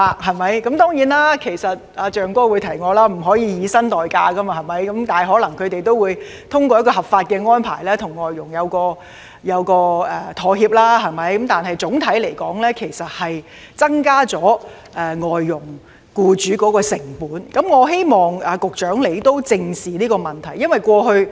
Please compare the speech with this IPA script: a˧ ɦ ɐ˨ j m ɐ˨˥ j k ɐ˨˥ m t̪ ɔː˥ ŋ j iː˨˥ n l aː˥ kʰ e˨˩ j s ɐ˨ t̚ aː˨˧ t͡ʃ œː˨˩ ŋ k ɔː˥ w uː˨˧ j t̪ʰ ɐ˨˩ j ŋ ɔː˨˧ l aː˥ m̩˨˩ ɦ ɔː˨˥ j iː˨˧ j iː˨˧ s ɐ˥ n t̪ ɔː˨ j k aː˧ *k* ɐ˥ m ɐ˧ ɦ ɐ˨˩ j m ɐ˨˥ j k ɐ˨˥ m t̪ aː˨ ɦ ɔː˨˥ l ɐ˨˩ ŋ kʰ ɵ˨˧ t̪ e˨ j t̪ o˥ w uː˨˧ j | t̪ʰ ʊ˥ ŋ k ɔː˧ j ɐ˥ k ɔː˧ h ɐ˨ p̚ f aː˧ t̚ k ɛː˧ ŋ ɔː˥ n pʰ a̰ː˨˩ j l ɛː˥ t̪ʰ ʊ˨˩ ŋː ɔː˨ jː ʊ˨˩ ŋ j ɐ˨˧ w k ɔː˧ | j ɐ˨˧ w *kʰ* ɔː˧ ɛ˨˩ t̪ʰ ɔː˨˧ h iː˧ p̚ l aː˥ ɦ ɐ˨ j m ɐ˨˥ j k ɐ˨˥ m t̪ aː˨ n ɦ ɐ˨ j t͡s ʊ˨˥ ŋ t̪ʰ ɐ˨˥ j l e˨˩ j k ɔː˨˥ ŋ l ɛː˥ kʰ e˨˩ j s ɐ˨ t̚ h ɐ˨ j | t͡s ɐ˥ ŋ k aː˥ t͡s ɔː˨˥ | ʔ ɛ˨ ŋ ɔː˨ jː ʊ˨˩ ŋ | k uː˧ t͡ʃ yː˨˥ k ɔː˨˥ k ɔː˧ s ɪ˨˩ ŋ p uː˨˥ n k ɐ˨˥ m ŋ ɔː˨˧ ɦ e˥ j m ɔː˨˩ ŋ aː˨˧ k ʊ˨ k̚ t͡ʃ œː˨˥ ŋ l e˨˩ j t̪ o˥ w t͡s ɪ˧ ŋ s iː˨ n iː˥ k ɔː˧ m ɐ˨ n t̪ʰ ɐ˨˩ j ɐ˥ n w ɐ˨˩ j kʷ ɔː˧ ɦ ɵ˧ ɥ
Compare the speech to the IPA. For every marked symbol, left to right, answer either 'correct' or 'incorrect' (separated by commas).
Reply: correct, incorrect